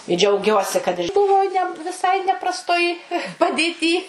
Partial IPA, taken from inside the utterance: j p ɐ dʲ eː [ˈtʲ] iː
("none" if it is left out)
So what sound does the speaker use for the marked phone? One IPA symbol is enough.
tʲ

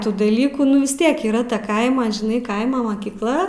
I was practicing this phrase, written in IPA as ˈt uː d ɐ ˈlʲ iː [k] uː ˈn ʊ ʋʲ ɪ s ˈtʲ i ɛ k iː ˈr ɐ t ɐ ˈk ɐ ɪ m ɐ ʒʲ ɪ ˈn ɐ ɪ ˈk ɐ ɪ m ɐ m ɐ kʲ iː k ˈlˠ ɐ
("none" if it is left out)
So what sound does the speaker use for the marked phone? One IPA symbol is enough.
k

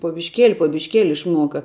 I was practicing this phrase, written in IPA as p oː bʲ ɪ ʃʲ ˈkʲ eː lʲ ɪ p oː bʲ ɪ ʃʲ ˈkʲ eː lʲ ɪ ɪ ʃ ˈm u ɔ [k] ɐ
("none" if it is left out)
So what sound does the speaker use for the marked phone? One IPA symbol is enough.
k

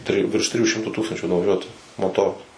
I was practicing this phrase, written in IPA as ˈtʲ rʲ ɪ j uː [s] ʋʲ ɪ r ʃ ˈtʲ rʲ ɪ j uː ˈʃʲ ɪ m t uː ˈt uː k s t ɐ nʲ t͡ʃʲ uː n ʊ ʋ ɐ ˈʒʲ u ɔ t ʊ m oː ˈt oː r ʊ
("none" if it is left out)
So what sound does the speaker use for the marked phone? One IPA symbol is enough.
none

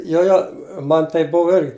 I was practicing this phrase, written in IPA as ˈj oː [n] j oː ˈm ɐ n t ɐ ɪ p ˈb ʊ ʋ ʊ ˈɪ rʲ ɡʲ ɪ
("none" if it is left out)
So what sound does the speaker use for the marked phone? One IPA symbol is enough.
none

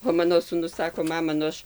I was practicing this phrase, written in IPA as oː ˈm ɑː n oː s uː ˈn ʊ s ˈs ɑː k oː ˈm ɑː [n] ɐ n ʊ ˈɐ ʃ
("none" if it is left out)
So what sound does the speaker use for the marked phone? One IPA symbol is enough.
m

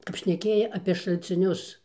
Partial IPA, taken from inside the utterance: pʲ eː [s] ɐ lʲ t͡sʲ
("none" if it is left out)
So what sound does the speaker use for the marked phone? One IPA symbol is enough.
ʃ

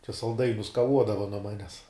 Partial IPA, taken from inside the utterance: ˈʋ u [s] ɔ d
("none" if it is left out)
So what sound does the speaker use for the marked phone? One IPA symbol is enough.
none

